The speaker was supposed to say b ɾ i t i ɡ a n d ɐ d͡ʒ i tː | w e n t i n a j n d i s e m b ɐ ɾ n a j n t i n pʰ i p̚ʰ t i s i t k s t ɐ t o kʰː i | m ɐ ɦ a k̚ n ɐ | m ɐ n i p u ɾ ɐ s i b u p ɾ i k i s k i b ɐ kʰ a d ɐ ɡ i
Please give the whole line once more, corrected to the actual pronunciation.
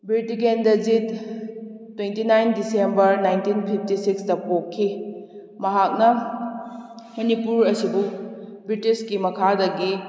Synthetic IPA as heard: b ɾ i t i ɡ e n d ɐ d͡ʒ i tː | w e n t i n a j n d i s e m b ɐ ɾ n a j n t i n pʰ i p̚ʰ t i s i k s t ɐ p o kʰː i | m ɐ ɦ a k̚ n ɐ | m ɐ n i p u ɾ ɐ s i b u b ɾ i t i s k i m ɐ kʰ a d ɐ ɡ i